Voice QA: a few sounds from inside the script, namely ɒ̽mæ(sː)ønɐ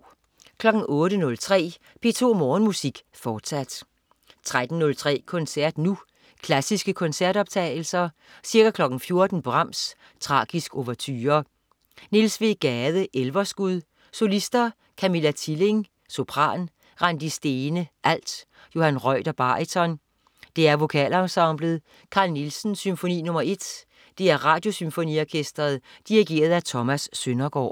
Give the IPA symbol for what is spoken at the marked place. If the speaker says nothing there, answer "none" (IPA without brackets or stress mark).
sː